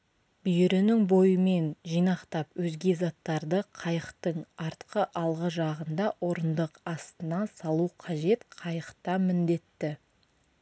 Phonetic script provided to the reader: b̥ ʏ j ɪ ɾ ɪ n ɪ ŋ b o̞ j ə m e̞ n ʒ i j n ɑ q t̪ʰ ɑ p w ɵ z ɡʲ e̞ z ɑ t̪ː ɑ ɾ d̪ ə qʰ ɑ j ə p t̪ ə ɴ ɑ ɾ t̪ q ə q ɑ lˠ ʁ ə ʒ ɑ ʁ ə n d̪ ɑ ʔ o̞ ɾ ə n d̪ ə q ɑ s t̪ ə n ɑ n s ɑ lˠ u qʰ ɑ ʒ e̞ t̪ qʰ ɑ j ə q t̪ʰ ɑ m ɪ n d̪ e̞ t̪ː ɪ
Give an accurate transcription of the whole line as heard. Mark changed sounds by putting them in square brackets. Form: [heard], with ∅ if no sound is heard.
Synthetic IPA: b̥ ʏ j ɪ ɾ ɪ n ɪ ŋ b o̞ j ə m e̞ n ʒ i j n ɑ q [t̪] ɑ p w ɵ z ɡʲ e̞ z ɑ t̪ː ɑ ɾ d̪ ə qʰ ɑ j ə [q] t̪ ə ɴ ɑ ɾ t̪ q ə [ʔ] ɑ lˠ ʁ ə ʒ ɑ ʁ ə n d̪ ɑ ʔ o̞ ɾ ə n d̪ ə q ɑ s t̪ ə n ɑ n s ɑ lˠ u qʰ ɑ ʒ e̞ t̪ qʰ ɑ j ə q [t̪] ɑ m ɪ n d̪ e̞ t̪ː ɪ